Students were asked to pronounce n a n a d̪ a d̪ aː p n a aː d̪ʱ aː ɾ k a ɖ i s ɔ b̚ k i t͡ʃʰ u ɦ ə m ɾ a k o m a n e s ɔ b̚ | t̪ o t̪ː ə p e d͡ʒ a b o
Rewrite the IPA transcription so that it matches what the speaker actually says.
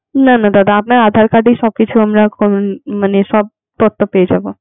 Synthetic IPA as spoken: n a n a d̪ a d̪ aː p n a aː d̪ʱ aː ɾ k a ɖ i s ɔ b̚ k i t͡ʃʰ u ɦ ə m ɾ a k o m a n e s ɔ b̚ | t̪ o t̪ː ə p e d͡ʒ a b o

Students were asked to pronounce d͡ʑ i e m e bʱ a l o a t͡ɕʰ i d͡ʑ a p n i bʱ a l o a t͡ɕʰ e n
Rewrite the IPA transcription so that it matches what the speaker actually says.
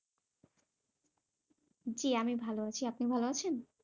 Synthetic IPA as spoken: d͡ʑ i a m i bʱ a l o a t͡ɕʰ i a p n i bʱ a l o a t͡ɕʰ e n

